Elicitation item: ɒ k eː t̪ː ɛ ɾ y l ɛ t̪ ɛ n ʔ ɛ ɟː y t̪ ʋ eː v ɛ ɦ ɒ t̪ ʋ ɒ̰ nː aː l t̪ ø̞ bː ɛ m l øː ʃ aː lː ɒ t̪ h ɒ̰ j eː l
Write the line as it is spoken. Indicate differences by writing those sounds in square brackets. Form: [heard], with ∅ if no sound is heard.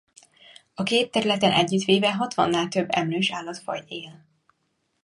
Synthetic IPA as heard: ɒ k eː t̪ː ɛ ɾ y l ɛ t̪ ɛ n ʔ ɛ ɟː y t̪ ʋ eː v ɛ ɦ ɒ t̪ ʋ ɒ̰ nː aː l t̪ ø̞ bː ɛ m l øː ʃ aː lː ɒ t̪ [f] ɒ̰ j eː l